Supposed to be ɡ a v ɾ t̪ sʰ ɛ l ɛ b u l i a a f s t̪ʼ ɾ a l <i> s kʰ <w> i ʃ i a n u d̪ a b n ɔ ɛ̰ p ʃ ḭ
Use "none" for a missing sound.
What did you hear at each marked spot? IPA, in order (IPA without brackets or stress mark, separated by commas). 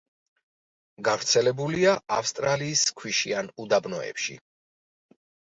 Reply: iː, w